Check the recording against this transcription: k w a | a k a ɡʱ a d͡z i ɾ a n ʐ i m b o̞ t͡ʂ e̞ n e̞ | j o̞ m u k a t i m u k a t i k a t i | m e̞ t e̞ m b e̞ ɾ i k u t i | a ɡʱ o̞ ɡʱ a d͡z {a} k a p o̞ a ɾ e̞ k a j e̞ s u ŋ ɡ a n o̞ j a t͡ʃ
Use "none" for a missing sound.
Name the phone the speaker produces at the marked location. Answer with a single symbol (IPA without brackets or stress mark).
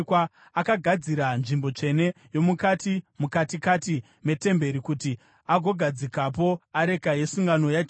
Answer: i